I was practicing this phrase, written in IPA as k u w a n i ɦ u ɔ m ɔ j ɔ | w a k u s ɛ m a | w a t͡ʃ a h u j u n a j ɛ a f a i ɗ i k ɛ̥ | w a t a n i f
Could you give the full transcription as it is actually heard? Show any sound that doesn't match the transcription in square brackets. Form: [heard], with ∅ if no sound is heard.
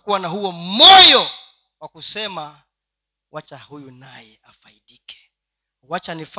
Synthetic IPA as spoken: k u w a n [a] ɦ u ɔ m ɔ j ɔ | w a k u s ɛ m a | w a t͡ʃ a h u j u n a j ɛ a f a i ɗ i k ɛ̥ | w a [t͡ʃ] a n i f